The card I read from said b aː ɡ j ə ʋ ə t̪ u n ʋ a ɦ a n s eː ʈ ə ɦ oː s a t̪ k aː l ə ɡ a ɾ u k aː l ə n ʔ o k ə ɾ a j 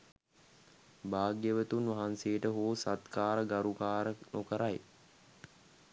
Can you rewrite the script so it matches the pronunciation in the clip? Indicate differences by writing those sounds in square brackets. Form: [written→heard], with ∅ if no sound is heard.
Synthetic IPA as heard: b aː ɡ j ə ʋ ə t̪ u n ʋ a ɦ a n s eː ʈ ə ɦ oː s a t̪ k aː [l→ɾ] ə ɡ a ɾ u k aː [l→ɾ] ə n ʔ o k ə ɾ a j